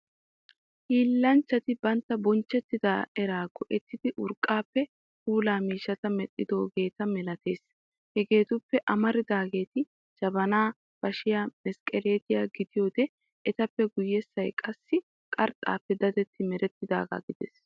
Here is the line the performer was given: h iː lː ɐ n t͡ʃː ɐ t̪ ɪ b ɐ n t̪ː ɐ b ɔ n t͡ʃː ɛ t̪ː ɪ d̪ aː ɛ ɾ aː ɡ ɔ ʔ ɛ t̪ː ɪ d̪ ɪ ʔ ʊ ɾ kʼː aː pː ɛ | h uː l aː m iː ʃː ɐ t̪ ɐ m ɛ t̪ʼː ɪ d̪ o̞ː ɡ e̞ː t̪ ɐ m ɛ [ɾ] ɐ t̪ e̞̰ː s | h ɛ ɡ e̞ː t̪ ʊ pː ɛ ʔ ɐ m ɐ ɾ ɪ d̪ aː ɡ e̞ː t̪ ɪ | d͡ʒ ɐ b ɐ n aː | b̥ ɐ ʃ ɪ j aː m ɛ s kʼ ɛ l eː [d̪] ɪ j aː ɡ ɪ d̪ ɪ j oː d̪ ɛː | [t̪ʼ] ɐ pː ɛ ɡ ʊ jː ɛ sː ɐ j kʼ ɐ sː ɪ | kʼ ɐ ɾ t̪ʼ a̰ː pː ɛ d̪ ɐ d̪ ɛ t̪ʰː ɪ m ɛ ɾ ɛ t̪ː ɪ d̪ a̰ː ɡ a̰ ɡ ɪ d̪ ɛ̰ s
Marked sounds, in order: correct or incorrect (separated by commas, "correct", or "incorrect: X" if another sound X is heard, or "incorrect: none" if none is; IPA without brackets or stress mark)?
incorrect: l, incorrect: t̪, incorrect: t̪